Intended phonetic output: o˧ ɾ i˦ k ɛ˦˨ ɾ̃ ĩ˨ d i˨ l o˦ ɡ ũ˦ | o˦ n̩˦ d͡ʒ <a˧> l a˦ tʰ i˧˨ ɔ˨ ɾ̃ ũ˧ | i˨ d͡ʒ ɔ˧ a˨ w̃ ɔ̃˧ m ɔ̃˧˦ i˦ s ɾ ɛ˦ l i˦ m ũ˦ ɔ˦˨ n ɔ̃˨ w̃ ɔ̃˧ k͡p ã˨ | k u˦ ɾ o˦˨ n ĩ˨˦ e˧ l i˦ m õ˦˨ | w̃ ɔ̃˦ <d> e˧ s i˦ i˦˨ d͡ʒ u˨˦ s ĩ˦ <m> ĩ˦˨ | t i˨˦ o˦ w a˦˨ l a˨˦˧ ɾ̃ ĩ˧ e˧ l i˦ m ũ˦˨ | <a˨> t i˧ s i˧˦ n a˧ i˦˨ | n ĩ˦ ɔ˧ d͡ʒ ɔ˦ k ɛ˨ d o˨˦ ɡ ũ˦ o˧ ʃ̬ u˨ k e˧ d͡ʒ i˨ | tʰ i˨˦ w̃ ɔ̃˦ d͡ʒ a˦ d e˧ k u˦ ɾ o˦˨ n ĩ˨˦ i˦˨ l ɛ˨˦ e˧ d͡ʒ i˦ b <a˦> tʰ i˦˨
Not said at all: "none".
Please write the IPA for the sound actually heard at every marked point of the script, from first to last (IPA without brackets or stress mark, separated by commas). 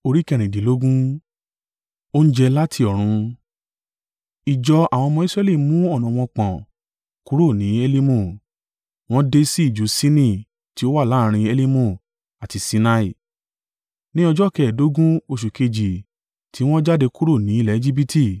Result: ɛ˧, d, n, a˨, i˦